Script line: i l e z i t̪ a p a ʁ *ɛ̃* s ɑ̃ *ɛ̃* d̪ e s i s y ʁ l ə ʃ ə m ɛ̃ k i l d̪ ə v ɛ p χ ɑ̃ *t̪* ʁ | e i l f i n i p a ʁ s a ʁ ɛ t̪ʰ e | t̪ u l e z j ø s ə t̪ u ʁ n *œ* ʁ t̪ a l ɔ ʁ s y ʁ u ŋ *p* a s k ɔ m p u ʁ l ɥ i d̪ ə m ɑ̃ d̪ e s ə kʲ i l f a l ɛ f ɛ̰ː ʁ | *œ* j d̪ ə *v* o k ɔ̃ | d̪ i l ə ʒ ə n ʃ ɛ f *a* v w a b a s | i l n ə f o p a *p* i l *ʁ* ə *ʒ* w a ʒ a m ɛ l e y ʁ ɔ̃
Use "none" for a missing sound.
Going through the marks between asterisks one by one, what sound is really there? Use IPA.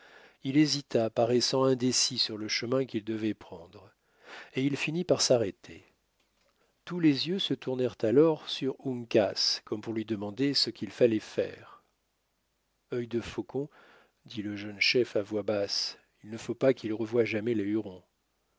ɛ, ɛ̃, d̪, ɛ, k, œ, f, a, k, ʁ, v

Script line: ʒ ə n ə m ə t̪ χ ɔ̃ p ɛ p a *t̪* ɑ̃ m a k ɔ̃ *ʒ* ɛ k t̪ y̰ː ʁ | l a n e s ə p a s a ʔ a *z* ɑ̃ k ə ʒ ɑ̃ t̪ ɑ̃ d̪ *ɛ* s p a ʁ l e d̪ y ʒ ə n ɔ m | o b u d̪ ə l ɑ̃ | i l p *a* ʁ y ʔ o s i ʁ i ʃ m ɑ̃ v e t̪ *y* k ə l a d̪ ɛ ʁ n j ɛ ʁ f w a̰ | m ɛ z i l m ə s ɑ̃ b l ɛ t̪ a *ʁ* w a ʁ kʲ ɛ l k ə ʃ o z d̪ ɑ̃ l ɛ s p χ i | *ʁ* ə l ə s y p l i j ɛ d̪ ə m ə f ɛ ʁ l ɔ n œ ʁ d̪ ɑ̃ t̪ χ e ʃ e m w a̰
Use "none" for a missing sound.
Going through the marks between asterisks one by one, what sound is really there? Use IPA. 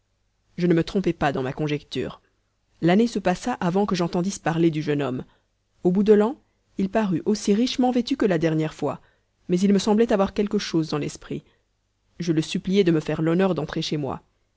d̪, ʒ, v, i, a, y, v, ʒ

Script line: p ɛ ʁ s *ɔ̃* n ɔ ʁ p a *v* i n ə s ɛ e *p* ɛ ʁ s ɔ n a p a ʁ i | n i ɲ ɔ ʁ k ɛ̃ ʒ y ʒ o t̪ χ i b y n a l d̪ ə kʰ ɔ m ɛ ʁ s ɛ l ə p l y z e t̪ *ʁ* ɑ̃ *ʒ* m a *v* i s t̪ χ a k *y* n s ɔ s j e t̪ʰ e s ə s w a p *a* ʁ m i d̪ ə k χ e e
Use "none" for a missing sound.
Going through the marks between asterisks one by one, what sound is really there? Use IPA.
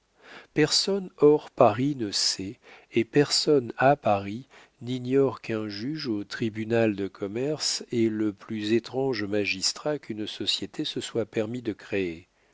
ɔ, ʁ, p, χ, ʒ, ʒ, y, ɛ

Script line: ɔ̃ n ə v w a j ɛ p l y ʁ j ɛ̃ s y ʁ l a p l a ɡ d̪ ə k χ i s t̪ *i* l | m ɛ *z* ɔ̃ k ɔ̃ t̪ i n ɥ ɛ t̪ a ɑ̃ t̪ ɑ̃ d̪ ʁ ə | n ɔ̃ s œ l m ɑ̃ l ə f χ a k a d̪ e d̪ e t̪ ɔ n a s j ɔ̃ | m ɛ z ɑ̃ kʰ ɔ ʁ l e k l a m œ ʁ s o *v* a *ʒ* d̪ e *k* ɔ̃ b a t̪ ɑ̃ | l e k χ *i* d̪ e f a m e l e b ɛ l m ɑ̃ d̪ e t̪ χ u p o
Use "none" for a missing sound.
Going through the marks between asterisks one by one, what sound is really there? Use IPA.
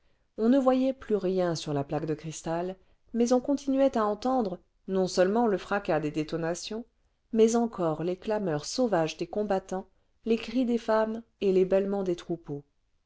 a, z, v, ʒ, k, i

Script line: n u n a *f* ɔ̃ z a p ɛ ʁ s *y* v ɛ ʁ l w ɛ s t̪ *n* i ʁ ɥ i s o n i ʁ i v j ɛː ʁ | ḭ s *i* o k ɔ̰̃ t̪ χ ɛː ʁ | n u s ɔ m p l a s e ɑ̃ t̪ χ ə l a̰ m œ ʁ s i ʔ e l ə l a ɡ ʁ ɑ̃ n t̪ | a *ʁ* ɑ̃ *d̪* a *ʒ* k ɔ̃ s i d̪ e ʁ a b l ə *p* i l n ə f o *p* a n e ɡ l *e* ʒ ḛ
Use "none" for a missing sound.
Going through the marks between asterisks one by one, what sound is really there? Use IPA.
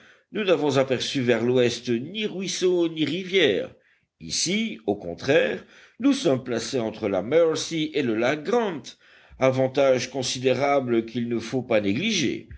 v, y, n, i, v, t̪, ʒ, k, p, i

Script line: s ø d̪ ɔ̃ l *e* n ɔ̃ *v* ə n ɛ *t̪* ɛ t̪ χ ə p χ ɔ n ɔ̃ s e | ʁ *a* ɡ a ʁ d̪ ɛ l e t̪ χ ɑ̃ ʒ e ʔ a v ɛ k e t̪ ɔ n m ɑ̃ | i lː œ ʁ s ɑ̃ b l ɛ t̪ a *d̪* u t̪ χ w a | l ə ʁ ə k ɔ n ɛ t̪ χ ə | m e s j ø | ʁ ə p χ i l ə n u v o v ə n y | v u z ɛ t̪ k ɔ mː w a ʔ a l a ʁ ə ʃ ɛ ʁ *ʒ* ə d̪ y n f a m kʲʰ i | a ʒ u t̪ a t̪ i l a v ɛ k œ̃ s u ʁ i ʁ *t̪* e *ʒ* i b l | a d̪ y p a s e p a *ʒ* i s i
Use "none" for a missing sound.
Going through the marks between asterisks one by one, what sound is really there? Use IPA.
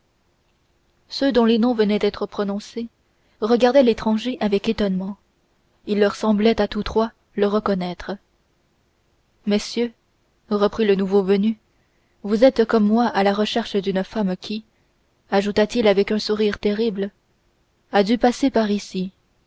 e, v, d̪, ə, t̪, ʃ, t̪, ʁ, ʁ

